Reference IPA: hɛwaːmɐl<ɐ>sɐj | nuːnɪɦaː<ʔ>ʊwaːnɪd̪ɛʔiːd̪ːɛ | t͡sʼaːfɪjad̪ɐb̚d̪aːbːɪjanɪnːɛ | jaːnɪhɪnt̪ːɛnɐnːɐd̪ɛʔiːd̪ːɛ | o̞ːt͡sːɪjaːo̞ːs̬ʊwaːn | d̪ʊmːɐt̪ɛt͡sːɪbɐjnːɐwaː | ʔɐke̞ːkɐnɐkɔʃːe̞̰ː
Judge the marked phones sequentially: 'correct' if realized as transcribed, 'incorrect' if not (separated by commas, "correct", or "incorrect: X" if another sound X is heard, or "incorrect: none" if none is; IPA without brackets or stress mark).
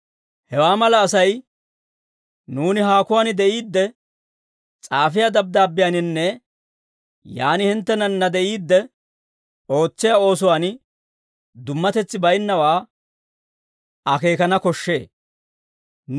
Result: incorrect: ɐː, incorrect: k